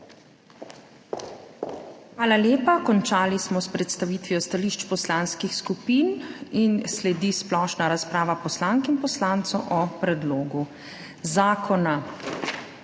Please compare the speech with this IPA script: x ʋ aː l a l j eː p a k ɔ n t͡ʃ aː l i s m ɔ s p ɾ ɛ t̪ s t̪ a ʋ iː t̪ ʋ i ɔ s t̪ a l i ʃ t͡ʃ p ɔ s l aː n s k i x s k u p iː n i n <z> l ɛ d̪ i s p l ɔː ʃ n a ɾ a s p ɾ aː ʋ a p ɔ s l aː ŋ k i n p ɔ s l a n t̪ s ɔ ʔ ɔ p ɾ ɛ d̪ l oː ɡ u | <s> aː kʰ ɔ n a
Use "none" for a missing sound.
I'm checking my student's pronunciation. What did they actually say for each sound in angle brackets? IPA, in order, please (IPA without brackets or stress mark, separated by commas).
s, z